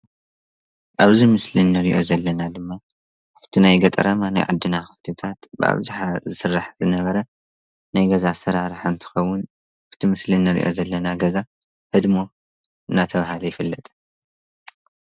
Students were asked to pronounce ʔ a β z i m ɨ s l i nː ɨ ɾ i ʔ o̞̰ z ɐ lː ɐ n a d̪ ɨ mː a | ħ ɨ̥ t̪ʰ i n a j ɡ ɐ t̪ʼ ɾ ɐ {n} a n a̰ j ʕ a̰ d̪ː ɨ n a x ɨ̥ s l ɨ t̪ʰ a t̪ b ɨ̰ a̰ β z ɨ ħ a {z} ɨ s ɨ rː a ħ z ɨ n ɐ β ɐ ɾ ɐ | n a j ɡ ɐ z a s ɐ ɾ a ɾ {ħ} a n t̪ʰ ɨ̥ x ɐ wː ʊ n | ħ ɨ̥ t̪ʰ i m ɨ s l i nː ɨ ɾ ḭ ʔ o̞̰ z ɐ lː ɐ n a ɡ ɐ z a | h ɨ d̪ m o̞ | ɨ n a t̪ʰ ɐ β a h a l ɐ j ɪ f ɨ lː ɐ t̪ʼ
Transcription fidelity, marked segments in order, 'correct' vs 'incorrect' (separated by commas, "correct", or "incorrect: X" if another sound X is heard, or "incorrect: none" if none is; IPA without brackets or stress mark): incorrect: m, correct, correct